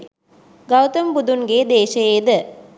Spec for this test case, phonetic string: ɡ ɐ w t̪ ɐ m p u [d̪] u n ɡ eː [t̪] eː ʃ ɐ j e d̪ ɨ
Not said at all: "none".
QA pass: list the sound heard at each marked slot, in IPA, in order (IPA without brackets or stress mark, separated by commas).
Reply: d̪, d̪